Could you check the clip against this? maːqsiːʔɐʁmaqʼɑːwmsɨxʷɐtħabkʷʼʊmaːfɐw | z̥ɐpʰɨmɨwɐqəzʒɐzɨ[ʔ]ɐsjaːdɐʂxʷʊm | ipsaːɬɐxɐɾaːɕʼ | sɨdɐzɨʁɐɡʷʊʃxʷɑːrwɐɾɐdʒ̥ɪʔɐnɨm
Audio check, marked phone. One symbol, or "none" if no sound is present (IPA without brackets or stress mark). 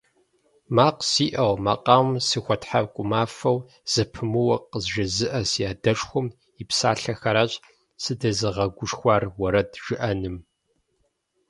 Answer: ʔ